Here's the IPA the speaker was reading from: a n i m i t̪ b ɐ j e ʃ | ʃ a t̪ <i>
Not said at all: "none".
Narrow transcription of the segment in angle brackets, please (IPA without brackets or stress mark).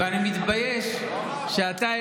a